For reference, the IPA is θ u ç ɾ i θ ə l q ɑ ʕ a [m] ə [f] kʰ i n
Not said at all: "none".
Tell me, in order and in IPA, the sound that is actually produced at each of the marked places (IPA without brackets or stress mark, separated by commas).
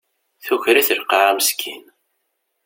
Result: m, s